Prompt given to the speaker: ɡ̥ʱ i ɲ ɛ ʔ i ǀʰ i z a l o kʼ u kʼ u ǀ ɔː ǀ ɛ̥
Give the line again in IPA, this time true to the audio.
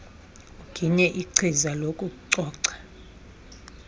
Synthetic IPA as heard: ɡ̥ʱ i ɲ ɛ ʔ i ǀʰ i z a l o kʼ u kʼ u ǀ ɔː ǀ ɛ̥